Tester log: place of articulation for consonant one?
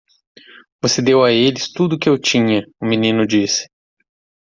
labial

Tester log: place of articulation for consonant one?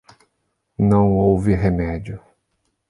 alveolar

